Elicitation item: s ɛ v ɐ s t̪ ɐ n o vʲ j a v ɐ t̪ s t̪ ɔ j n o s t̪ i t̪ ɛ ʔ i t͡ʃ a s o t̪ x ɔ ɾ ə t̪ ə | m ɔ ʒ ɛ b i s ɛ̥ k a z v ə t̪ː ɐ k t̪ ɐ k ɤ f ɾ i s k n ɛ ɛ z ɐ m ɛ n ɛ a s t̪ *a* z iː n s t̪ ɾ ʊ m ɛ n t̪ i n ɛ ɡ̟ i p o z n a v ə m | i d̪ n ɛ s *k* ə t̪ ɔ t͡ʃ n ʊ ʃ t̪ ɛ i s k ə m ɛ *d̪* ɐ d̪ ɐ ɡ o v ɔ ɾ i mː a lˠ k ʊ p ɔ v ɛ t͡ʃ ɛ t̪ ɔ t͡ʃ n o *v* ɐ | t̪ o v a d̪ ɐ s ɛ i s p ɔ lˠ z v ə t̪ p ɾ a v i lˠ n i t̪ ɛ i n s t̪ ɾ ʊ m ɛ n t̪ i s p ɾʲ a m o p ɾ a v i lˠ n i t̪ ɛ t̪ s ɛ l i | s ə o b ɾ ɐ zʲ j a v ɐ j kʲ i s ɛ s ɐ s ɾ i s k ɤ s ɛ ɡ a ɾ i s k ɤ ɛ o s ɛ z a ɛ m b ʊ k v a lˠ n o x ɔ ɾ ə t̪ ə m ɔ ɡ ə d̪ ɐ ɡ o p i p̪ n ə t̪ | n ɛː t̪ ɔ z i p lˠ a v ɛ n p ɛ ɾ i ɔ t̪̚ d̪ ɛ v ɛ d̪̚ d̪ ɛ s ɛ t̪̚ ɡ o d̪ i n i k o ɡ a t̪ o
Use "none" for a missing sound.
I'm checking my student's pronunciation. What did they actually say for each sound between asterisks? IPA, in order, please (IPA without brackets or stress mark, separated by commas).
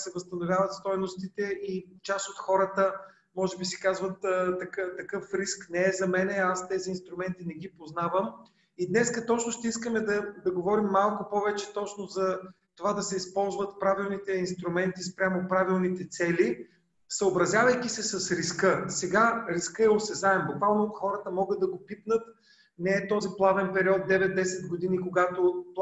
ɛ, k, d̪, z